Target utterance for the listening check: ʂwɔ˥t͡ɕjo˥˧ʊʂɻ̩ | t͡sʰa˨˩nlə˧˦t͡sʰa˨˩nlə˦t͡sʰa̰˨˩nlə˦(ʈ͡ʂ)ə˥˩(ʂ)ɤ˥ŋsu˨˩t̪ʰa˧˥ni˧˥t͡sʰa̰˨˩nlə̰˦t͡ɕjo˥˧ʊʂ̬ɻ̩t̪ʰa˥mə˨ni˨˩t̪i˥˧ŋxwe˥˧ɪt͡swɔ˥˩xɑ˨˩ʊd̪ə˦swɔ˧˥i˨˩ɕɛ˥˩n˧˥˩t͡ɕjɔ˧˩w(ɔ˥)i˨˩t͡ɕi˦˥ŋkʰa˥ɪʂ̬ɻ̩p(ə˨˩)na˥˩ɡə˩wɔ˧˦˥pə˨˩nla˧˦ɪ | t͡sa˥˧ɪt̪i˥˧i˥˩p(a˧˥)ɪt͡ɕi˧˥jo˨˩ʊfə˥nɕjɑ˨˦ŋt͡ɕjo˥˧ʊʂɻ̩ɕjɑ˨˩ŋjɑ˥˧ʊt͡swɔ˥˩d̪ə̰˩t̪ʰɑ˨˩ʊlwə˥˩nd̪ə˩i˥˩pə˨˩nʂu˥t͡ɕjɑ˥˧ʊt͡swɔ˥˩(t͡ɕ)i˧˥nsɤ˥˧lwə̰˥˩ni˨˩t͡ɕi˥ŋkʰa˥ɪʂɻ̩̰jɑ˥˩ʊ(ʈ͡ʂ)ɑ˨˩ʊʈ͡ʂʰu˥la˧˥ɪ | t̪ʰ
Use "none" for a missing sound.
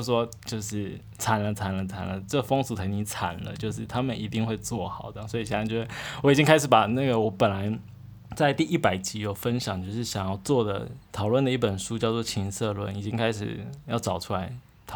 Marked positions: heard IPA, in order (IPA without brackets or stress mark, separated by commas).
ʈ͡ʂ, f, ɔ˧˥, a˨˩, a˨˩, t͡ɕʰ, ʈ͡ʂ